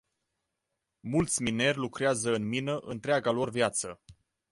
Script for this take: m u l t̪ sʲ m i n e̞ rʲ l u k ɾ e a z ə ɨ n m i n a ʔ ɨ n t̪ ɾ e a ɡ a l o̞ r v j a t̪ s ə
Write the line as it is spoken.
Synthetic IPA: m u l t̪ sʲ m i n e̞ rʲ l u k ɾ e a z ə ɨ n m i n ə ʔ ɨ n t̪ ɾ e a ɡ a l o̞ r v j a t̪ s ə